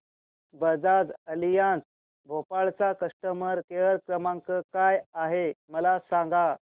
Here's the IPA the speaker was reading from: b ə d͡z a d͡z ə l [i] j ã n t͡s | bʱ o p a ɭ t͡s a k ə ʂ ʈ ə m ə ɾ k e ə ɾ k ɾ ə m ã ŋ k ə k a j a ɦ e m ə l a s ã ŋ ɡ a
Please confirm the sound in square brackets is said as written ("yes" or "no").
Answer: yes